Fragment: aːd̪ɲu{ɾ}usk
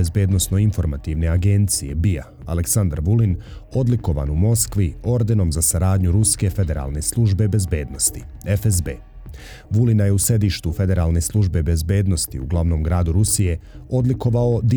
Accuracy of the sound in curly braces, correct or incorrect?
correct